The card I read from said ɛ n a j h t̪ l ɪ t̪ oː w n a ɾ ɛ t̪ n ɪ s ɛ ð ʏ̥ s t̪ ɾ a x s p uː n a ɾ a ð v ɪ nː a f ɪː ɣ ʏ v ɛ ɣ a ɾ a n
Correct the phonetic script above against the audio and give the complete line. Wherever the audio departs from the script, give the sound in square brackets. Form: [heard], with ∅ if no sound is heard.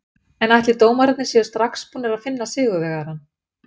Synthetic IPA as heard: ɛ n a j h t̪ l ɪ t̪ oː w [m] a ɾ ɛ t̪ n ɪ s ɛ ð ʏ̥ s t̪ ɾ a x s p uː n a ɾ a ð [f] ɪ nː a [s] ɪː ɣ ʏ v ɛ ɣ a ɾ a n

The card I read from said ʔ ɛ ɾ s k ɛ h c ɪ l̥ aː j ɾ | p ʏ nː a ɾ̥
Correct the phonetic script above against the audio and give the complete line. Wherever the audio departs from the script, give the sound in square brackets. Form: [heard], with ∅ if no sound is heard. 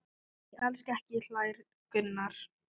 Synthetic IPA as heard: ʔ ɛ [l] s k ɛ h c ɪ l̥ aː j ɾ | [k] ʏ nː a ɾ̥

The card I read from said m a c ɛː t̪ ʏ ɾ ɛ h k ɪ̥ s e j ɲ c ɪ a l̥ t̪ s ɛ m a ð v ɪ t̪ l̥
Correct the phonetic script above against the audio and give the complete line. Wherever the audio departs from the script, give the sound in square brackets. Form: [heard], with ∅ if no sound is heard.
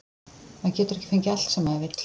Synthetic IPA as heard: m a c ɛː t̪ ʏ ɾ ɛ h [c] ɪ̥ [f] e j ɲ c ɪ a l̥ t̪ s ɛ m a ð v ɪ t̪ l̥

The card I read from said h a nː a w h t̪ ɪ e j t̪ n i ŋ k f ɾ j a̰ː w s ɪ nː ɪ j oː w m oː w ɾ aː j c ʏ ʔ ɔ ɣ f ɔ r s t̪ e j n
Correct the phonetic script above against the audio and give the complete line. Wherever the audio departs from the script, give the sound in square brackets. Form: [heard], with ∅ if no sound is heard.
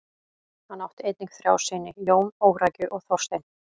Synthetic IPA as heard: h a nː a w h t̪ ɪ e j t̪ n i ŋ k [θ] ɾ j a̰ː w s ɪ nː ɪ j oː w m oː w ɾ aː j c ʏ ʔ ɔ ɣ [θ] ɔ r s t̪ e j n

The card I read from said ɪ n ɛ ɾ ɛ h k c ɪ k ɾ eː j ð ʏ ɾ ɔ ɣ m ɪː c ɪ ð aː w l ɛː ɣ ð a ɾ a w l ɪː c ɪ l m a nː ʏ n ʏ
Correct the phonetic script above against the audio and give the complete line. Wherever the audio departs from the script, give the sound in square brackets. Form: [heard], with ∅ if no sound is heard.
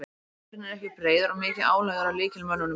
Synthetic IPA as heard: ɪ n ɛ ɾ ɛ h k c ɪ [p] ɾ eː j ð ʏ ɾ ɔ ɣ m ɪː c ɪ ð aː w l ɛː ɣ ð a ɾ a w l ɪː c ɪ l m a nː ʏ n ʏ

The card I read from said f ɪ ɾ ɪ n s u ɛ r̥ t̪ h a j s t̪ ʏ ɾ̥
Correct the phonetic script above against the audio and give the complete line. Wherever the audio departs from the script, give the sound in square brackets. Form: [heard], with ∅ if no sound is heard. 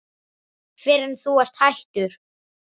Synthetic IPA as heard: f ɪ ɾ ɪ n [θ] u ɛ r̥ t̪ h a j [h] t̪ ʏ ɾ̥

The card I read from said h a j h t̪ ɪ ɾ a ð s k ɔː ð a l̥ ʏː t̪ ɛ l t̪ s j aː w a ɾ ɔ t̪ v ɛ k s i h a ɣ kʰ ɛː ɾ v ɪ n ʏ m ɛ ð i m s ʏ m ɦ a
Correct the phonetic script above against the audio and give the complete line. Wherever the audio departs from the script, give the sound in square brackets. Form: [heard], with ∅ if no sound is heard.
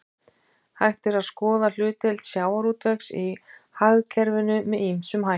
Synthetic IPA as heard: h a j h t̪ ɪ ɾ a ð s k ɔː ð a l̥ ʏː t̪ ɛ l t̪ s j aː w a ɾ [u] t̪ v ɛ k s i h a ɣ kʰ [ɛ] ɾ v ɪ n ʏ m ɛ ð i m s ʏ m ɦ a

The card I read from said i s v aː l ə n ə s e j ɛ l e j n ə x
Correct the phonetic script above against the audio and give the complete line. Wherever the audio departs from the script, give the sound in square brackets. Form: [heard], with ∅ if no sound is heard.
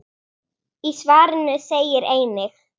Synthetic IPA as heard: i s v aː [ɾ] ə n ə s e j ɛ [ɾ] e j n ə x

